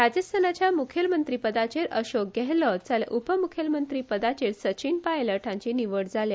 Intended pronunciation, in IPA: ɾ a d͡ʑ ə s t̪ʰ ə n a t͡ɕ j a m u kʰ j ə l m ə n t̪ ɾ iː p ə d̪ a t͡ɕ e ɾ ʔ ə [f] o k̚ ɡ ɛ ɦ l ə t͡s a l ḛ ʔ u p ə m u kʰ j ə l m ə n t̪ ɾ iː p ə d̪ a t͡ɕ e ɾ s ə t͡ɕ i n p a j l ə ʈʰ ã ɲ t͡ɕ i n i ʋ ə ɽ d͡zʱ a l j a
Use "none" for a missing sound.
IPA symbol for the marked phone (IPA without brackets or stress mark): ɕ